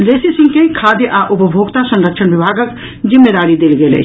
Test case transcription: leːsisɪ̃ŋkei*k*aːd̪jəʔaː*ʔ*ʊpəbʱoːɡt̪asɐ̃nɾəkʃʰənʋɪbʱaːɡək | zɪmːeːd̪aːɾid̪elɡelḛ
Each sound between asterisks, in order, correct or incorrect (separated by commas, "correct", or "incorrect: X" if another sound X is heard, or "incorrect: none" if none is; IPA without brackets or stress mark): incorrect: kʰ, correct